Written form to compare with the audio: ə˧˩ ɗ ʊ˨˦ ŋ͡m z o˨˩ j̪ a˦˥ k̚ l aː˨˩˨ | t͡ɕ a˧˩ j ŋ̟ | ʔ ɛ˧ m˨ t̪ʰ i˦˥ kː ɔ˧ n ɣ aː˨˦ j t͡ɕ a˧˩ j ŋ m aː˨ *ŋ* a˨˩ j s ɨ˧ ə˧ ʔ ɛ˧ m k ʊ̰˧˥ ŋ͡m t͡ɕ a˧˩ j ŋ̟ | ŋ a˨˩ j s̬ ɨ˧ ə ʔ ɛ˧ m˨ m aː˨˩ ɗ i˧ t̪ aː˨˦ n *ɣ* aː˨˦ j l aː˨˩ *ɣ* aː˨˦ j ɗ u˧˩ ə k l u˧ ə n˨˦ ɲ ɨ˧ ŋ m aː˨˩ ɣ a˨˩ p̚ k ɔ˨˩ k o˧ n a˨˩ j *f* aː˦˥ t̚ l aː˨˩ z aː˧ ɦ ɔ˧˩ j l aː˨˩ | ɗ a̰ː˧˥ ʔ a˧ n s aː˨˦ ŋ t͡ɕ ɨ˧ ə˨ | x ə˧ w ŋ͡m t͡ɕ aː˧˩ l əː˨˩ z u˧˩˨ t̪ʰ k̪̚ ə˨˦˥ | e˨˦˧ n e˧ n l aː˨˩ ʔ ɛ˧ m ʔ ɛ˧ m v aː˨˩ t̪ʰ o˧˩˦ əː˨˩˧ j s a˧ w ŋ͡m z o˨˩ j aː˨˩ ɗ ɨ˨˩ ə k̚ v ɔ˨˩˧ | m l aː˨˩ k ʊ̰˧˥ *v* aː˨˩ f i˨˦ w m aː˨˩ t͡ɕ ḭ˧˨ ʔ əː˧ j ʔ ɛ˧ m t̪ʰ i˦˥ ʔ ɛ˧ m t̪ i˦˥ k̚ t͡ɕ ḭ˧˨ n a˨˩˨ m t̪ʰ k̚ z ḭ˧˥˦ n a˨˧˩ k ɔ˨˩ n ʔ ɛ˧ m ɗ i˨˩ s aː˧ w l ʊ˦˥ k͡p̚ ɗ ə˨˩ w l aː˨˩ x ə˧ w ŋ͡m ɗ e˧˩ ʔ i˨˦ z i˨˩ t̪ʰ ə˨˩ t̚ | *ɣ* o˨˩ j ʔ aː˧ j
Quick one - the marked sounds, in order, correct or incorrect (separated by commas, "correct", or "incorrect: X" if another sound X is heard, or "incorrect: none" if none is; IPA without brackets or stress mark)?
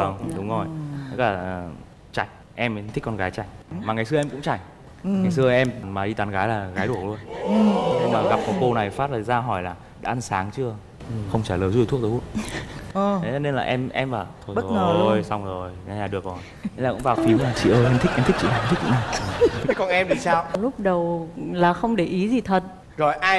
correct, correct, correct, correct, correct, incorrect: z